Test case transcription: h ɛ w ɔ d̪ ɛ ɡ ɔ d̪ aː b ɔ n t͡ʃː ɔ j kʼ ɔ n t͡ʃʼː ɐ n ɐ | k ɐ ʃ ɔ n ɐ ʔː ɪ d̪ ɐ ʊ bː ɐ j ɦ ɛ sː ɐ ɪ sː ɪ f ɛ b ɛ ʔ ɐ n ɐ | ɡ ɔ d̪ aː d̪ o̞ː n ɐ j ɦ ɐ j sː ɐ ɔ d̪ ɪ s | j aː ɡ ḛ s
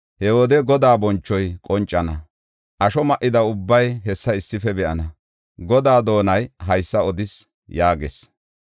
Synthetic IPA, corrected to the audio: h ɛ w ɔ d̪ ɛ ɡ ɔ d̪ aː b ɔ n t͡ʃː ɔ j kʼ ɔ n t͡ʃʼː ɐ n ɐ | ʔ ɐ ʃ ɔ m ɐ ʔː ɪ d̪ ɐ ʊ bː ɐ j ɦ ɛ sː ɐ ɪ sː ɪ f ɛ b ɛ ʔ ɐ n ɐ | ɡ ɔ d̪ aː d̪ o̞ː n ɐ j ɦ ɐ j sː ɐ ɔ d̪ ɪ s | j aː ɡ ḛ s